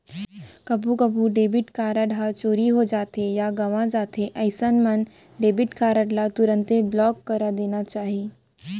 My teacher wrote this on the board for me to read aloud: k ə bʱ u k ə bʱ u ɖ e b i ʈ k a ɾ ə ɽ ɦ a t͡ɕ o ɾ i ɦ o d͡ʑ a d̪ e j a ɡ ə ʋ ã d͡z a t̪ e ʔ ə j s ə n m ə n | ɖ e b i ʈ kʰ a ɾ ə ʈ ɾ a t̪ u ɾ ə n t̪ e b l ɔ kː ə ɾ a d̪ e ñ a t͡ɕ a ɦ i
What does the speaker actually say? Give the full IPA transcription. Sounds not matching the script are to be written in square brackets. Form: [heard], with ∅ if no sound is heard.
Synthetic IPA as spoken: k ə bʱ u k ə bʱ u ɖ e b i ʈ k a ɾ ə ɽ ɦ a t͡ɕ o ɾ i ɦ o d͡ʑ a [t̪] e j a ɡ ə ʋ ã d͡z a t̪ e ʔ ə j s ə n m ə n | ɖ e b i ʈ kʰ a ɾ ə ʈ [l] a t̪ u ɾ ə n t̪ e b l ɔ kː ə ɾ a d̪ e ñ a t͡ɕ a ɦ i

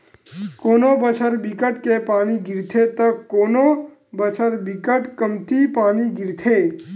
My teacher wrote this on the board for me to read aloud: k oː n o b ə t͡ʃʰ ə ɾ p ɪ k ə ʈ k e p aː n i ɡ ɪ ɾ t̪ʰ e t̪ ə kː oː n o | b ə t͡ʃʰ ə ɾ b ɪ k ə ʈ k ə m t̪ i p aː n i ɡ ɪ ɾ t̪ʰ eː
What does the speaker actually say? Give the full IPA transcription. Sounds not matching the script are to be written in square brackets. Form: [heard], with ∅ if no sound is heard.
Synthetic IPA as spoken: k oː n o b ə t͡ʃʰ ə ɾ [b] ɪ k ə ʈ k e p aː n i ɡ ɪ ɾ t̪ʰ e t̪ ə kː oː n o | b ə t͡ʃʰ ə ɾ b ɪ k ə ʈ k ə m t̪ i p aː n i ɡ ɪ ɾ t̪ʰ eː

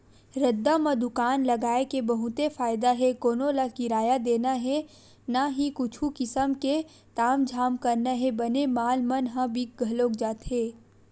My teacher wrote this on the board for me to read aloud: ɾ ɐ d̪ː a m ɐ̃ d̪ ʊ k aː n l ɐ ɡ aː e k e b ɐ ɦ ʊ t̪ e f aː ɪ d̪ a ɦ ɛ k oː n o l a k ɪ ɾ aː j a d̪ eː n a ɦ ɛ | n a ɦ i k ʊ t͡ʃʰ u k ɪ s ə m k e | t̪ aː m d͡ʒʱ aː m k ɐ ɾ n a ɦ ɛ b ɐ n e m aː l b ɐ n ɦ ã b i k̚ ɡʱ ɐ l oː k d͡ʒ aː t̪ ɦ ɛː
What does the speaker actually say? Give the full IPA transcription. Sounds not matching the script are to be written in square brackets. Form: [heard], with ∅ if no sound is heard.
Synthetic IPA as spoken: ɾ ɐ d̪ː a m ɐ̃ d̪ ʊ k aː n l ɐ ɡ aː e k e b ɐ ɦ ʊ t̪ e f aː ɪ d̪ a ɦ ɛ k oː n o l a k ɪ ɾ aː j a d̪ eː n a ɦ ɛ | n a ɦ i k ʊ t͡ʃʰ u k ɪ s ə m k e | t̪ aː m d͡ʒʱ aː m k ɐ ɾ n a ɦ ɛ b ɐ n e m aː l [m] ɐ n ɦ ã b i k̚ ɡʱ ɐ l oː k d͡ʒ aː t̪ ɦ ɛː

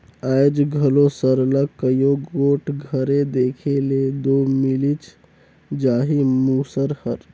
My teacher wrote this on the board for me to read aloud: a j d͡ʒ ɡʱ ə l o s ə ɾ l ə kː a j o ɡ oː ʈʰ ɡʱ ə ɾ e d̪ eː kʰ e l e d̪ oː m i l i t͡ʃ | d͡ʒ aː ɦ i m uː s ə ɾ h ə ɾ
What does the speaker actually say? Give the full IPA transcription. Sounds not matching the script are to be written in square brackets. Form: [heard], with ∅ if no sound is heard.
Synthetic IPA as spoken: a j d͡ʒ ɡʱ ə l o s ə ɾ l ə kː [ə] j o ɡ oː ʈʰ ɡʱ ə ɾ e d̪ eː kʰ e l e d̪ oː m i l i t͡ʃ | d͡ʒ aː ɦ i m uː s ə ɾ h ə ɾ

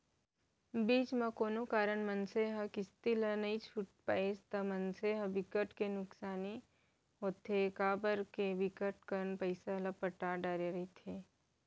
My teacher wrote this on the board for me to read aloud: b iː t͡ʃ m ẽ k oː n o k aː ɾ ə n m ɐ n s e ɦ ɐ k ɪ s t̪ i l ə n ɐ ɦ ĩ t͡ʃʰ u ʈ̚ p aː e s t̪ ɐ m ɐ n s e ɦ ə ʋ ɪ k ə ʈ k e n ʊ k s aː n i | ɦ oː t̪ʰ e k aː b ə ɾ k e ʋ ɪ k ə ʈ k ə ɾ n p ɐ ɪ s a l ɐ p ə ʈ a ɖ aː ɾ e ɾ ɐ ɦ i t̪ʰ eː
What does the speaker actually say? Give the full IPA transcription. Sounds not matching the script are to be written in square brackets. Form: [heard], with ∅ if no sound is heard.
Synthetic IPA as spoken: b iː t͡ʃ m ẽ k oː n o k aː ɾ ə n m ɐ n s e ɦ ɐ k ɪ s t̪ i l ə n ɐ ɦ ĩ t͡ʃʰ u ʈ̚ p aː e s t̪ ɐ m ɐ n s e ɦ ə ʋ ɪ k ə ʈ k e n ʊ k s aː n i | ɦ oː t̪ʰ e k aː b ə ɾ k e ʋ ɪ k ə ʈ k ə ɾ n p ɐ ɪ s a l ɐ p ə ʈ a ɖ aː ɾ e ɾ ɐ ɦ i t̪ʰ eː

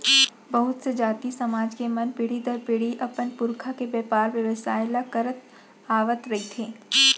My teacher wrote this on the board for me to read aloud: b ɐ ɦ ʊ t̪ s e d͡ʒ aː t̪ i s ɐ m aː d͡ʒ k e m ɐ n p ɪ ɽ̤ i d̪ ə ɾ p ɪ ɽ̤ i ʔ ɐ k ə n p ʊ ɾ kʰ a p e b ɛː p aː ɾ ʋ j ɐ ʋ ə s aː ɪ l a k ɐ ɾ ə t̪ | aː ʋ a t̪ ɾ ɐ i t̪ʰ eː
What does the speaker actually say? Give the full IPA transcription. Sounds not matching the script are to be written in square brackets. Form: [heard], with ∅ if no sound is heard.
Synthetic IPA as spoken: b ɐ ɦ ʊ t̪ s e d͡ʒ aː t̪ i s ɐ m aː d͡ʒ k e m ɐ n p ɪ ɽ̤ i d̪ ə ɾ p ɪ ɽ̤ i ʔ ɐ [p] ə n p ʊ ɾ kʰ a [k] e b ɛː p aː ɾ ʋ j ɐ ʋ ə s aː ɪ l a k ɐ ɾ ə t̪ | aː ʋ [ə] t̪ ɾ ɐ i t̪ʰ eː

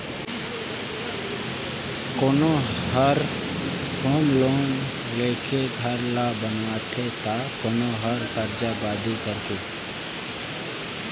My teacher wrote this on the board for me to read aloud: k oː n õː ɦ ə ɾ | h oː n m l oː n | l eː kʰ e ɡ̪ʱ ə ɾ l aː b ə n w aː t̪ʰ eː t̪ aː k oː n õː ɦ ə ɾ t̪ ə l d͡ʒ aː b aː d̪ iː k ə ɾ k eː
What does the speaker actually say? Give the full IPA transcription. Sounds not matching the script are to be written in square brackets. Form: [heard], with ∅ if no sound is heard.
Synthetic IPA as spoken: k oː n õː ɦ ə ɾ | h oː [∅] m l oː n | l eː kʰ e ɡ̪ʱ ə ɾ l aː b ə n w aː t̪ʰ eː t̪ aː k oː n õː ɦ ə ɾ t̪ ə [ɾ] d͡ʒ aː b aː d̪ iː k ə ɾ k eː

